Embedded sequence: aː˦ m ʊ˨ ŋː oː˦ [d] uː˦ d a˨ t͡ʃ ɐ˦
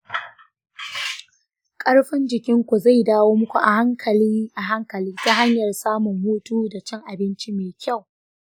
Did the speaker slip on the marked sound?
yes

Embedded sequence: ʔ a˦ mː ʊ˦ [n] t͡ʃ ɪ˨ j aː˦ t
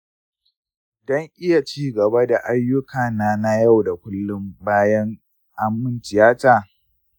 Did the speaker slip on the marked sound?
no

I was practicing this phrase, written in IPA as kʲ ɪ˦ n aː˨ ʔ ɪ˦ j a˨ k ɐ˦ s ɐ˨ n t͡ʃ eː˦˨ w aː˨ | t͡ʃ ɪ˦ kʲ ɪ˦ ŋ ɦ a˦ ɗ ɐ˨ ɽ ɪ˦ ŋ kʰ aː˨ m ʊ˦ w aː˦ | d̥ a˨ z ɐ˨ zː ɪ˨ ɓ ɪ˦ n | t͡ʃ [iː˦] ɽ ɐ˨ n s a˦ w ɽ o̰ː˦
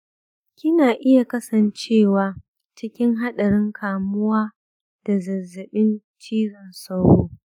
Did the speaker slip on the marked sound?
no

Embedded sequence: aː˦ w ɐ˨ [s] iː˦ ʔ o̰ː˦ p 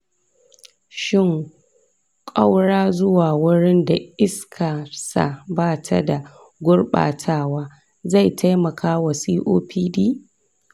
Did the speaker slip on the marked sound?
no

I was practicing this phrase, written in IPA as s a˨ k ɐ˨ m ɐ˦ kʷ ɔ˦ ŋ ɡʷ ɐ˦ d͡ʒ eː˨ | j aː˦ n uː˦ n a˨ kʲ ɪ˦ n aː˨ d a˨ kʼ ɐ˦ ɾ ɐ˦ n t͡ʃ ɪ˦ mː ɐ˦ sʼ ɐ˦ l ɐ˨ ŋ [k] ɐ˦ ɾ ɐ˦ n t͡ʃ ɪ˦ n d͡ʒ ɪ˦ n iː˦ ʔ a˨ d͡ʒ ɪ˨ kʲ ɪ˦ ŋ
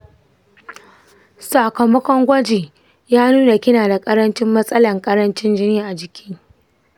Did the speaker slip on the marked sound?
yes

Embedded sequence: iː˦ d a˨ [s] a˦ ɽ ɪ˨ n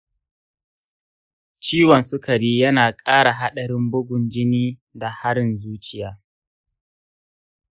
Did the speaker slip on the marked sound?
yes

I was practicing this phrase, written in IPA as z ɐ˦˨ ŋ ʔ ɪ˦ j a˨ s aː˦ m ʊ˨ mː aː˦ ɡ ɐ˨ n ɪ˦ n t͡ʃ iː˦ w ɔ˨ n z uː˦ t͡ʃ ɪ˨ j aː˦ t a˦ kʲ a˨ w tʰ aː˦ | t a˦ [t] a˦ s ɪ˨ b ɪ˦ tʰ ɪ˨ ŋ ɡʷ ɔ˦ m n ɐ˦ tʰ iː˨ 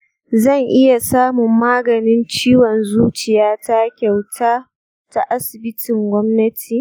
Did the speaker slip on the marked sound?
yes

